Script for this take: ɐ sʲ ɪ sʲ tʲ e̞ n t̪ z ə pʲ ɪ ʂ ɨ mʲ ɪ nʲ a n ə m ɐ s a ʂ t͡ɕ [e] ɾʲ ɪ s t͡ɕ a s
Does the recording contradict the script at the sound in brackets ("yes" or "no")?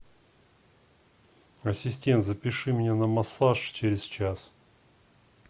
no